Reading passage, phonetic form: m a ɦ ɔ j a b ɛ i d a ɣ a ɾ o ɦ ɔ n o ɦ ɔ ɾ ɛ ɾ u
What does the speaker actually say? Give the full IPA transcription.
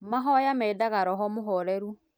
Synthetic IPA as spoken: m a ɦ ɔ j a m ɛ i d a ɣ a ɾ ɔ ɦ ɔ m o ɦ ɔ ɾ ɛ ɾ u